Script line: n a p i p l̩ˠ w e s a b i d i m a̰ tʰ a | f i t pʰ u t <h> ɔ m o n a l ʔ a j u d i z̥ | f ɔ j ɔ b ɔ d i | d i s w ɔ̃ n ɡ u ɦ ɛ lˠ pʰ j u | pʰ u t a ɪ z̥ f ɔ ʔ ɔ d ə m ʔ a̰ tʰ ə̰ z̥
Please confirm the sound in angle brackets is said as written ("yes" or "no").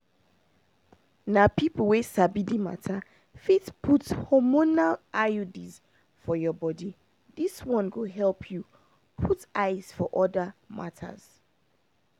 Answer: yes